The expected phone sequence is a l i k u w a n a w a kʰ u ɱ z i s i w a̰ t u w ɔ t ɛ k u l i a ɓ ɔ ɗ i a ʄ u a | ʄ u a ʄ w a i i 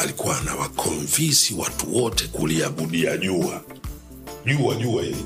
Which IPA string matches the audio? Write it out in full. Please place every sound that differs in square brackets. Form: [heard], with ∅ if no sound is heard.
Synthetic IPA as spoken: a l i k u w a n a w a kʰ [ɔ] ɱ [v] i s i w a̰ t u w ɔ t ɛ k u l i a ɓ [u] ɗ i a ʄ u a | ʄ u a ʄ [u] a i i